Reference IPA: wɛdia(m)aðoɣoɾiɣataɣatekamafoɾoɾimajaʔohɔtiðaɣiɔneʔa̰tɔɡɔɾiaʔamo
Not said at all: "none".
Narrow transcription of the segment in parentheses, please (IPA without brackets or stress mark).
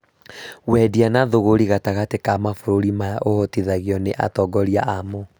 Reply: n